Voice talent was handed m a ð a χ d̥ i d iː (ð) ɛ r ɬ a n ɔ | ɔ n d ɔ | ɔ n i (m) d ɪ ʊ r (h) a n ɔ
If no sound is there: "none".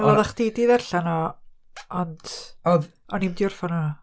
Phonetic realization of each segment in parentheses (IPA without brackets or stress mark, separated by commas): ð, m, f